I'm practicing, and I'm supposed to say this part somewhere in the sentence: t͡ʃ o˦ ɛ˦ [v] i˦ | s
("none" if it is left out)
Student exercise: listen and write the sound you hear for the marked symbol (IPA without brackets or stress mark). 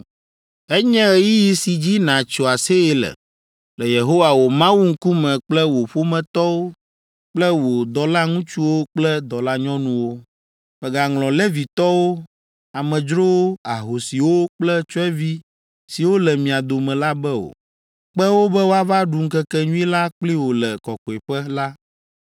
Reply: v